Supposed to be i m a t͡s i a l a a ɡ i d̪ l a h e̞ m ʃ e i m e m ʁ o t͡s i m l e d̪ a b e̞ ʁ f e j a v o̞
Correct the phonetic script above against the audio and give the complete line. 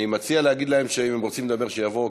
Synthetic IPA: i m a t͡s i a l e a ɡ i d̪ l a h e̞ m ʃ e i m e m ʁ o t͡s i m l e d̪ a b e̞ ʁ ʃ e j a v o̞